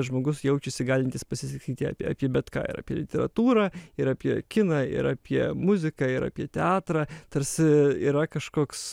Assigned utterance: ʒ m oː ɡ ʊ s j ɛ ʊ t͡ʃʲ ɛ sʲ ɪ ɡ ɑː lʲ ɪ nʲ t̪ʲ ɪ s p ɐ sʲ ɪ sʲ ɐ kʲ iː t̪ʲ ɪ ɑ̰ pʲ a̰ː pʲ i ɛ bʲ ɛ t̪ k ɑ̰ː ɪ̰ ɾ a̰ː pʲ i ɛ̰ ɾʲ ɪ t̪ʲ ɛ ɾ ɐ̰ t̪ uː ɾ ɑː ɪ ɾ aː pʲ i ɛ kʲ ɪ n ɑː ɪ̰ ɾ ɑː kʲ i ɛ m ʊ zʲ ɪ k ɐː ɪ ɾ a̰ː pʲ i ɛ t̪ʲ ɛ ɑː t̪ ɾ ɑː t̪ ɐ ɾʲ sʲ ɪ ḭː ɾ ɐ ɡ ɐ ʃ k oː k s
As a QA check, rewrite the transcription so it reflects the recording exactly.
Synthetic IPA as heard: ʒ m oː ɡ ʊ s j ɛ ʊ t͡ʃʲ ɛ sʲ ɪ ɡ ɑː lʲ ɪ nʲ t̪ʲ ɪ s p ɐ sʲ ɪ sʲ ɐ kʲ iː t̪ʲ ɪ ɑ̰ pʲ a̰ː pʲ i ɛ bʲ ɛ t̪ k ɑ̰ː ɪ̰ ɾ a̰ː pʲ i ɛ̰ lʲ ɪ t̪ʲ ɛ ɾ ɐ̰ t̪ uː ɾ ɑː ɪ ɾ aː pʲ i ɛ kʲ ɪ n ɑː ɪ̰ ɾ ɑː pʲ i ɛ m ʊ zʲ ɪ k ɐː ɪ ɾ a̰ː pʲ i ɛ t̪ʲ ɛ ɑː t̪ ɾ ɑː t̪ ɐ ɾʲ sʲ ɪ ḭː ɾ ɐ k ɐ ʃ k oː k s